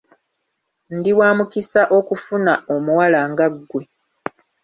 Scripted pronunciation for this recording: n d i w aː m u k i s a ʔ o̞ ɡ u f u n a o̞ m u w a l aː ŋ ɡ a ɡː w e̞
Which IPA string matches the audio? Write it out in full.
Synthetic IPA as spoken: n d i w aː m u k i s a ʔ o̞ k u f u n a o̞ m u w a l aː ŋ ɡ a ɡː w e̞